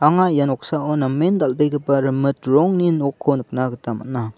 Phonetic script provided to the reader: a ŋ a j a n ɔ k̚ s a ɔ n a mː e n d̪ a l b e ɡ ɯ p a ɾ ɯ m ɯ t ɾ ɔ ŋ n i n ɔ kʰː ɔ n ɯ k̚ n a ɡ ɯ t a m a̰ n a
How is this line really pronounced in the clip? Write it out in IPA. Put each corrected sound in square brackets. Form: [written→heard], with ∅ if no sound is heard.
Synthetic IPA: a ŋ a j a n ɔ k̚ s a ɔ n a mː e n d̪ a l b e ɡ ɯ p a ɾ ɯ m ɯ t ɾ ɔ ŋ n i n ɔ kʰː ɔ n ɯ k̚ n a ɡ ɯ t a m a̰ n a